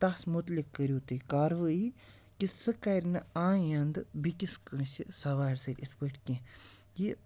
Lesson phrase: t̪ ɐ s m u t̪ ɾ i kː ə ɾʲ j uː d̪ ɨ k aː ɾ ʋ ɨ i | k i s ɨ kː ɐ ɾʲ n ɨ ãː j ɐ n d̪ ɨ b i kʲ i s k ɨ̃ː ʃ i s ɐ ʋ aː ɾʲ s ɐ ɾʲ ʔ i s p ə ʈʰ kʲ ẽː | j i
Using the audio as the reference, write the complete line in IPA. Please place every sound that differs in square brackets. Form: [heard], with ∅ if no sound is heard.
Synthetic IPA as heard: t̪ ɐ s m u t̪ [l] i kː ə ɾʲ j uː [t̪] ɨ k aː ɾ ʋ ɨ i | k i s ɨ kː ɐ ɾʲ n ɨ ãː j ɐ n d̪ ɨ b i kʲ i s k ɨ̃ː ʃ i s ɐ ʋ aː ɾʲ s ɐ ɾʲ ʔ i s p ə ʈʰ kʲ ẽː | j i